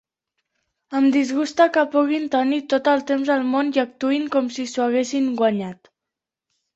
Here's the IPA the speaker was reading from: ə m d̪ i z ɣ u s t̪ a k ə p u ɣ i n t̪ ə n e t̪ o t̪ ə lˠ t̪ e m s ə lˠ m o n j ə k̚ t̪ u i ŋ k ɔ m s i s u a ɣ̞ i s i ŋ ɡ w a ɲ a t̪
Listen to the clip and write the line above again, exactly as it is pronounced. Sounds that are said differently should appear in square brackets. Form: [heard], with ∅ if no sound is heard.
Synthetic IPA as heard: ə m d̪ i z ɣ u s t̪ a k ə p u ɣ i n t̪ ə n [i] t̪ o t̪ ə lˠ t̪ e m [z] ə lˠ m o n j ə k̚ t̪ u i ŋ k ɔ m s i s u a ɣ̞ [e] s i ŋ ɡ w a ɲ a t̪

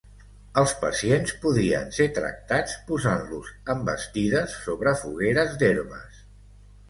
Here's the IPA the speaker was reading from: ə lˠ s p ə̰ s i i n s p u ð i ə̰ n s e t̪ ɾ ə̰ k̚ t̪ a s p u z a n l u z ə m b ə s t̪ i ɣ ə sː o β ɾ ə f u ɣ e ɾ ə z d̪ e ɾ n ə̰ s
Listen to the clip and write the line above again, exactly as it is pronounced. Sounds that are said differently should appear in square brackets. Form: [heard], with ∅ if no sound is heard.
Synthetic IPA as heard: ə lˠ s p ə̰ s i [e] n s p u ð i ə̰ n s e t̪ ɾ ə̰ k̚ t̪ a [t͡s] p u z a n l u z ə m b ə s t̪ i [ð] ə sː o β ɾ ə f u ɣ e ɾ ə z d̪ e ɾ [m] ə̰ s

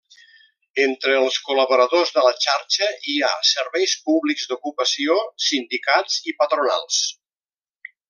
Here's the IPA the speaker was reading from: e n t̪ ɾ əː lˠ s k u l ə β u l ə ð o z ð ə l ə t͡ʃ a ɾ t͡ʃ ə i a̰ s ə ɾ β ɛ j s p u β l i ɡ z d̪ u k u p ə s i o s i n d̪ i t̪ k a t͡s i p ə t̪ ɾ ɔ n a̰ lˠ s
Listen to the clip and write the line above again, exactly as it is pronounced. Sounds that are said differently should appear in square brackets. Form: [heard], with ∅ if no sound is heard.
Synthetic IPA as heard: e n t̪ ɾ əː lˠ s k u l ə β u [ɾ] ə ð o z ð ə l ə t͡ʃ a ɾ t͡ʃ ə i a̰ s ə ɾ β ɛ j s p u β l i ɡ z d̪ u k u p ə s i o s i n d̪ i [∅] k a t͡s i p ə t̪ ɾ [u] n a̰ lˠ s

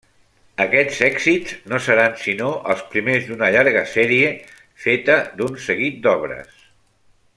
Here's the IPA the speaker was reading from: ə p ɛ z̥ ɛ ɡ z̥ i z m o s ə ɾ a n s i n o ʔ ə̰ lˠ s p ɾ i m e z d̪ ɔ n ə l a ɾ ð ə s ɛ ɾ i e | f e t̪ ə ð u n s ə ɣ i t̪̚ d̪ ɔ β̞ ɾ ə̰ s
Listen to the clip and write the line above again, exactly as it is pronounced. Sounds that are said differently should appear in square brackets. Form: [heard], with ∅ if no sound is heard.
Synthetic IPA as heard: ə [k] ɛ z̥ ɛ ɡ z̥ i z [n] o s ə ɾ a n s i n o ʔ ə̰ lˠ s p ɾ i m e z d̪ [u] n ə [ʎ] a ɾ [ɣ] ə s ɛ ɾ i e | f e t̪ ə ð u n s ə ɣ i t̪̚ d̪ ɔ β̞ ɾ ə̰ s

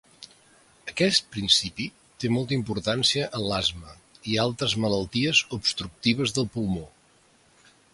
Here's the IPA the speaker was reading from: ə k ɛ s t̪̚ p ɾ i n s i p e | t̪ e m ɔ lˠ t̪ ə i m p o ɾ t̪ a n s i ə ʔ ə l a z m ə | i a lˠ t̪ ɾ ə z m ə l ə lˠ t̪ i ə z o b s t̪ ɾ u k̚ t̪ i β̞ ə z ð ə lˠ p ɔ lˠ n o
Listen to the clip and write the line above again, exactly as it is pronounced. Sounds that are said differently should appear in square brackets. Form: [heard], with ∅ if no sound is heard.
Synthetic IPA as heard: ə k ɛ s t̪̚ p ɾ i n s i p [i] | t̪ e m ɔ lˠ t̪ ə i m p [u] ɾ t̪ a n s i ə ʔ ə l a z m ə | i a lˠ t̪ ɾ ə z m ə l ə lˠ t̪ i ə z [u] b s t̪ ɾ u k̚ t̪ i β̞ ə z ð ə lˠ p [u] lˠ [m] o

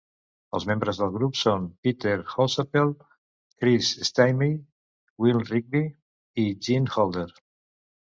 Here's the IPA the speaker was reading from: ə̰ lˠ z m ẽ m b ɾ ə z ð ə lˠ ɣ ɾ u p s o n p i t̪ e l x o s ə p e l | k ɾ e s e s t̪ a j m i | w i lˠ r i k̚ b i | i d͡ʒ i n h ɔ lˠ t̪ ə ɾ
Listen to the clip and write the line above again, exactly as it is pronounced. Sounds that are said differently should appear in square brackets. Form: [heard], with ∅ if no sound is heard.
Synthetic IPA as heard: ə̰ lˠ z m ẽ m b ɾ ə z ð ə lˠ ɣ ɾ u p s o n p i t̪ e [ɾ] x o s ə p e l | k ɾ [i] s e s t̪ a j m i | w i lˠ r i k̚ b i | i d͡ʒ i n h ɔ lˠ [d̪] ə ɾ

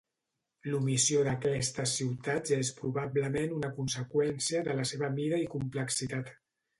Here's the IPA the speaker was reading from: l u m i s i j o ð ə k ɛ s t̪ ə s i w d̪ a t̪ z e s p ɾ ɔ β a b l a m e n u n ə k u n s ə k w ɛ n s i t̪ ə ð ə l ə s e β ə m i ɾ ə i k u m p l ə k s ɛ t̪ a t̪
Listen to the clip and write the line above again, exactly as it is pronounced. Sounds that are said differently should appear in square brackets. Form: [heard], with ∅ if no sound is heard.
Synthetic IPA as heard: l u m i s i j o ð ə k ɛ s t̪ ə s i w [t̪] a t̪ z e s p ɾ [u] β a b l [ə] m e n u n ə k u n s ə k w ɛ n s i [∅] ə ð ə l ə s e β ə m i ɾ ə i k u m p l ə k s [i] t̪ a t̪

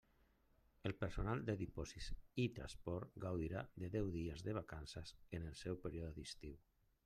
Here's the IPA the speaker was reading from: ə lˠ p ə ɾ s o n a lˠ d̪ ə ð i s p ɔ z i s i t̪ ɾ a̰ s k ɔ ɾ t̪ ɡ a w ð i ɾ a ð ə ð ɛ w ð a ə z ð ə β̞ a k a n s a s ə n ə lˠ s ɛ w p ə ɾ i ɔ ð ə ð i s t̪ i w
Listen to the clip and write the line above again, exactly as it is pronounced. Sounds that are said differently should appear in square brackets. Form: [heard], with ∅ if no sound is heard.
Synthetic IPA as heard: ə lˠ p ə ɾ s o n a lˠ d̪ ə ð i [∅] p ɔ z i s i t̪ ɾ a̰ s [p] ɔ ɾ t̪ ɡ a w ð i ɾ a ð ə ð ɛ w ð [i] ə z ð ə β̞ a k a n s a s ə n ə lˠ s ɛ w p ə ɾ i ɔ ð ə ð i s t̪ i w

